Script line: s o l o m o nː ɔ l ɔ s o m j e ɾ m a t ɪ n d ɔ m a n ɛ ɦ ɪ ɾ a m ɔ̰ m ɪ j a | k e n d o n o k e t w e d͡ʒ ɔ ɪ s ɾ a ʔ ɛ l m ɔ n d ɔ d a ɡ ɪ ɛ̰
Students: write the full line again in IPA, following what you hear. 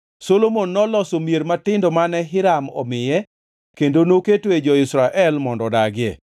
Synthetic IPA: s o l o m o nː ɔ l ɔ s o m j e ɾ m a t ɪ n d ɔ m a n ɛ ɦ ɪ ɾ a m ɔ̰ m ɪ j ɛ | k e n d o n o k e t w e d͡ʒ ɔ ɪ s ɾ a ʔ ɛ l m ɔ n d ɔ d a ɡ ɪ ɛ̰

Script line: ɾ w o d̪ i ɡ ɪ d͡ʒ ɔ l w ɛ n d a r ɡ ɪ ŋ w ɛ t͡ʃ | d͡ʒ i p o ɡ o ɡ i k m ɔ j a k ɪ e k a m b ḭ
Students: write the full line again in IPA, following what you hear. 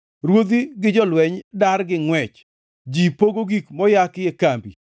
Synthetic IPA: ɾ w o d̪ i ɡ ɪ d͡ʒ ɔ l w ɛ ɲ d a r ɡ ɪ ŋ w ɛ t͡ʃ | d͡ʒ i p o ɡ o ɡ i k m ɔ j a k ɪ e k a m b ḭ

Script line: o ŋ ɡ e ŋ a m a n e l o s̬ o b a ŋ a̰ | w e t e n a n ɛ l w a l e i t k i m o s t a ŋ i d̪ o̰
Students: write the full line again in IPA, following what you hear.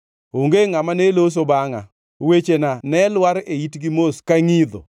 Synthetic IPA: o ŋ ɡ e ŋ a m a n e l o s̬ o b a ŋ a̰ | w e t͡ʃ e n a n ɛ l w a ɾ e i t ɡ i m o s k a ŋ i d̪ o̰

